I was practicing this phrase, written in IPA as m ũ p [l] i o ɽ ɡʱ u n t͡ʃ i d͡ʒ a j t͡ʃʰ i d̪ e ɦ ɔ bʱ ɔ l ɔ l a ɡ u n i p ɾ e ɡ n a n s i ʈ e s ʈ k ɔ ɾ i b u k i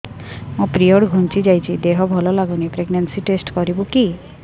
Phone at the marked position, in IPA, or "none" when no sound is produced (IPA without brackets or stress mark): ɾ